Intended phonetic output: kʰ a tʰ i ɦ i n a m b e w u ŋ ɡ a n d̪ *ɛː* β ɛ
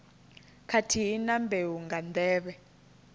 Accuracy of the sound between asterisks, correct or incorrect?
correct